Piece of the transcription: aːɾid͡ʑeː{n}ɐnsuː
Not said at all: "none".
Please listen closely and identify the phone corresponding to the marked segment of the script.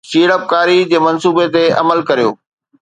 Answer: m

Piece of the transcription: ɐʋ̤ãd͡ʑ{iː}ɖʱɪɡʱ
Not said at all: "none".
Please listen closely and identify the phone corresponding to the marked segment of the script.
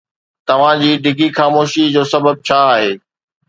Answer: iː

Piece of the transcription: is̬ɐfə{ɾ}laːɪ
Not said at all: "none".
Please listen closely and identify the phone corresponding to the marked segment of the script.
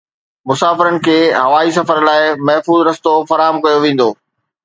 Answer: ɾ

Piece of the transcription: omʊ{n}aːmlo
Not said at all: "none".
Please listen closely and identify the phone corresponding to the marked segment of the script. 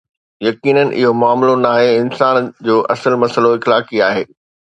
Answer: none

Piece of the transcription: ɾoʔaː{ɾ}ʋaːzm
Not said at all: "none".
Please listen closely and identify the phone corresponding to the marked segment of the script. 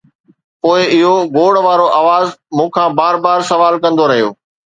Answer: none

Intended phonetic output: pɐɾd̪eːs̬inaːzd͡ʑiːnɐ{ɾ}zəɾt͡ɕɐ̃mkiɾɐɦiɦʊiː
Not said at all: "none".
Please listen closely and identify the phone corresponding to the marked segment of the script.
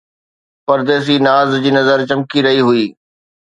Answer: none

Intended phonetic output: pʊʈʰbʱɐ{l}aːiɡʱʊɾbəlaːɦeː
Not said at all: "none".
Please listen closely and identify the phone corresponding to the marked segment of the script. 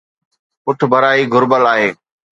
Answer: ɾ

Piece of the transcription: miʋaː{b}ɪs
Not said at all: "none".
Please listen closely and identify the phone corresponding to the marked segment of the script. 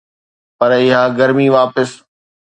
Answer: p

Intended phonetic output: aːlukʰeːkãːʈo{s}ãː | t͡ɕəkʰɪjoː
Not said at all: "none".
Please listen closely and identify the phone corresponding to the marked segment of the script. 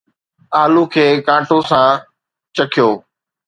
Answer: s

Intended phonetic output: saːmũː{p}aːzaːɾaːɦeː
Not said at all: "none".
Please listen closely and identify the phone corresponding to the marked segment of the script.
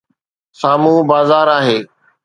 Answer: b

